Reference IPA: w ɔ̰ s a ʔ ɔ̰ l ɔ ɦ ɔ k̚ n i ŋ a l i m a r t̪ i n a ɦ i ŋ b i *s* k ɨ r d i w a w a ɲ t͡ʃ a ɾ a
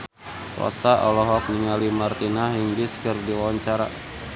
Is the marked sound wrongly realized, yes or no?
no